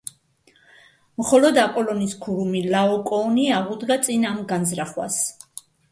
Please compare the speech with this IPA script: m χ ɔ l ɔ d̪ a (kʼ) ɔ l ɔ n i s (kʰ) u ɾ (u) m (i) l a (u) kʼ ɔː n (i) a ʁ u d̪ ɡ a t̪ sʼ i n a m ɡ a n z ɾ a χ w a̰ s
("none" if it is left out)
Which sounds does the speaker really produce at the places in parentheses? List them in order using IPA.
pʼ, kʰ, u, i, ɔ, i

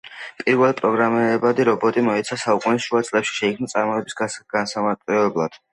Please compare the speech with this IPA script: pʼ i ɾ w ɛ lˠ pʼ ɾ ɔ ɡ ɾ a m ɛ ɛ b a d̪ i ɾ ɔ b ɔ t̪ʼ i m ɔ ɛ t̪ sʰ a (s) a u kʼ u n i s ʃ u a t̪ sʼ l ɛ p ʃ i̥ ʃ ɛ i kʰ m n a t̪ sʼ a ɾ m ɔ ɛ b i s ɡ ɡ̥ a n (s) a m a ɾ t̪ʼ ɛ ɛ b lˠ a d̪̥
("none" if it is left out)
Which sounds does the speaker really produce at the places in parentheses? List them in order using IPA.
s, s

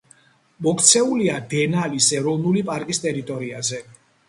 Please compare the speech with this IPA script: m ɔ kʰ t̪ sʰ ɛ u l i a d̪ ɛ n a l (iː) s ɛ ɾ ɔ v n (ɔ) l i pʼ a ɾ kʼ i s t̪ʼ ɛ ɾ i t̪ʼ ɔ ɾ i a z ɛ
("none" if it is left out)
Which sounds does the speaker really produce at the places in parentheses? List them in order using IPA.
i, u

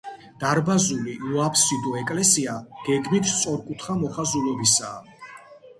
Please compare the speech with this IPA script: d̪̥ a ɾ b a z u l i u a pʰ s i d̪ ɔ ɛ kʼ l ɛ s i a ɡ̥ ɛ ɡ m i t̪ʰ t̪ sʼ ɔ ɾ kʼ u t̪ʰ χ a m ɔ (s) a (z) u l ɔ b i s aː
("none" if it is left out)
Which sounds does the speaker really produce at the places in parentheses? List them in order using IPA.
χ, z

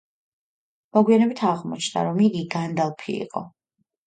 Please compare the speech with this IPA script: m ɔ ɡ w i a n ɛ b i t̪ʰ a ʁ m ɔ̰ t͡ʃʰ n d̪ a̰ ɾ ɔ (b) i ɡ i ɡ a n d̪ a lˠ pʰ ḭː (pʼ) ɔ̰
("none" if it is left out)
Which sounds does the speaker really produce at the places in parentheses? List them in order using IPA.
m, qʼ

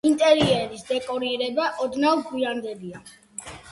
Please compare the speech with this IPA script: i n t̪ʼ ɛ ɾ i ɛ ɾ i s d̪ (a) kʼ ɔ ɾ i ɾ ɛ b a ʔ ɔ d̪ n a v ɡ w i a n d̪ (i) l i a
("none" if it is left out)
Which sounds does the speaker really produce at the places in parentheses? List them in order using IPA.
ɛ, ɛ

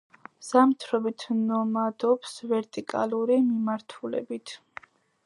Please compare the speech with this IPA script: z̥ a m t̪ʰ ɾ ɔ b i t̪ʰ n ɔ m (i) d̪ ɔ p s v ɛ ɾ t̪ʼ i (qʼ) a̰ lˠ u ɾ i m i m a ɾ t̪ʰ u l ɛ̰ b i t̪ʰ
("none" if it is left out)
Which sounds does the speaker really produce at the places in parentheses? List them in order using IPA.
a, kʼ

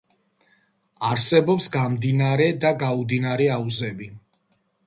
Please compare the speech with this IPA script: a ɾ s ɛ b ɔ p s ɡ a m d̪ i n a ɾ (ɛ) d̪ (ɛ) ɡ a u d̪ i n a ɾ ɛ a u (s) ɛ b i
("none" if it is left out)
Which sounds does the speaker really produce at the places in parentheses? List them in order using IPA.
ɛ, a, z

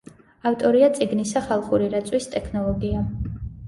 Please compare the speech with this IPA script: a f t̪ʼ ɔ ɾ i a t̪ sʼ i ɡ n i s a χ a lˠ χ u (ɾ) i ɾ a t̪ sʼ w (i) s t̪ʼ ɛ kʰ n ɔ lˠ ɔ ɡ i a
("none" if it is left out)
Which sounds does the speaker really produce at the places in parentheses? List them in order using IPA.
ɾ, i

